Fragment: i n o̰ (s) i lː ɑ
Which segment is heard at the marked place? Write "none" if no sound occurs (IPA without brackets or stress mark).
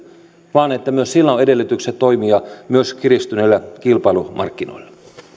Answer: none